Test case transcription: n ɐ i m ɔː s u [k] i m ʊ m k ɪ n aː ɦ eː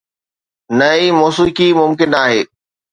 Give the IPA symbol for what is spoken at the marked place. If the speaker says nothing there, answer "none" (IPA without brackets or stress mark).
k